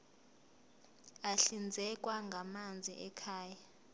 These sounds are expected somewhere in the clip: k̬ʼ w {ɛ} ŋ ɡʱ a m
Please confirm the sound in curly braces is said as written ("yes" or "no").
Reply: no